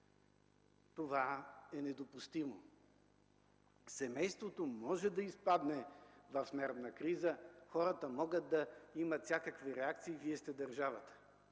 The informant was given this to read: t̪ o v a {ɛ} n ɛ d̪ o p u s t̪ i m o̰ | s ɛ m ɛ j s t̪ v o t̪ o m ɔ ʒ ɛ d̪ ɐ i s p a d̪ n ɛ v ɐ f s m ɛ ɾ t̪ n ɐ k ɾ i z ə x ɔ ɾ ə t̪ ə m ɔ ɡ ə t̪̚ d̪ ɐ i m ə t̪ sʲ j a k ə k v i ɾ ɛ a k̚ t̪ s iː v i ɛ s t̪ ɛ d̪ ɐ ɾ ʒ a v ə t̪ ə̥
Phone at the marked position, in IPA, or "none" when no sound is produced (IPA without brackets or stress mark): ɛ